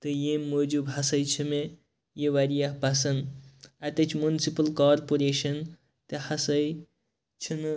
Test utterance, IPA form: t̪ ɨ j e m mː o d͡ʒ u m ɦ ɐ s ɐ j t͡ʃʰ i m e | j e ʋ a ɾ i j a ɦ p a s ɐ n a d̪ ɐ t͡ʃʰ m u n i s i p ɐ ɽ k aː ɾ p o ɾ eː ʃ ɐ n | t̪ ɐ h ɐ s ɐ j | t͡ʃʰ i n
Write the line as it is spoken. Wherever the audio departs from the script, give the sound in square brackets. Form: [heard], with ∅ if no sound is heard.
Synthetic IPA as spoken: t̪ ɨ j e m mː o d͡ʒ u [b] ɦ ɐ s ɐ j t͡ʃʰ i m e | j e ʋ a ɾ i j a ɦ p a s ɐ n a [t̪] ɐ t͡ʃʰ m u n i s i p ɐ [l] k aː ɾ p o ɾ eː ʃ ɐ n | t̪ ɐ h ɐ s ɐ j | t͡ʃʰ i n